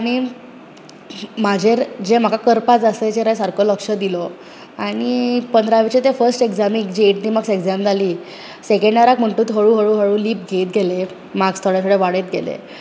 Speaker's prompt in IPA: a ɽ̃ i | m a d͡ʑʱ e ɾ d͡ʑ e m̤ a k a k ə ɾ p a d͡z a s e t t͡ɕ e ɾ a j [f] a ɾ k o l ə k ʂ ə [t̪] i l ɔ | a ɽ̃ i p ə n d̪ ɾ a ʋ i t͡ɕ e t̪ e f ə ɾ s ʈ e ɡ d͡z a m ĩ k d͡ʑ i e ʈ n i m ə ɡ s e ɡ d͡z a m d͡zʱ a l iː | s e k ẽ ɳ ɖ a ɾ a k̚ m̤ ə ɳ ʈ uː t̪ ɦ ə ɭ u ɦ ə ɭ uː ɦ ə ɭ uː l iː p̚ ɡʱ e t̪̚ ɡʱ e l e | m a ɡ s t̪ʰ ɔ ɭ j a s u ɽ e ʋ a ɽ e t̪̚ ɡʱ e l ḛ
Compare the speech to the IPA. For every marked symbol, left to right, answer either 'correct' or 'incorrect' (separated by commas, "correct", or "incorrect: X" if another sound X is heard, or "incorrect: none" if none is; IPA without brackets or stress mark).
incorrect: s, incorrect: d̪